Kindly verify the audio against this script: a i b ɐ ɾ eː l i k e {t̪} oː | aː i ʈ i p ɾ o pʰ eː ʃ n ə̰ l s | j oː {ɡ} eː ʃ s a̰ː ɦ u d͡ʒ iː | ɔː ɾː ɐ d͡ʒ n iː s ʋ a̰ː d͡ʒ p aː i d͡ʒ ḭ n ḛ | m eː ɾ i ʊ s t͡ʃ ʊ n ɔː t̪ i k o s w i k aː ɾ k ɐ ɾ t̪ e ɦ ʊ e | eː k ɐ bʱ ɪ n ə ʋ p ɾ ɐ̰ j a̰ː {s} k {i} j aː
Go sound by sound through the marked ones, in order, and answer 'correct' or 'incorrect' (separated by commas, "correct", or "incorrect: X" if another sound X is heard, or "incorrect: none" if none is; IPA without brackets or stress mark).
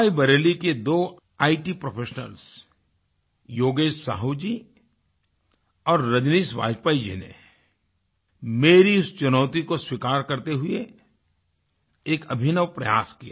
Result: incorrect: d̪, correct, correct, correct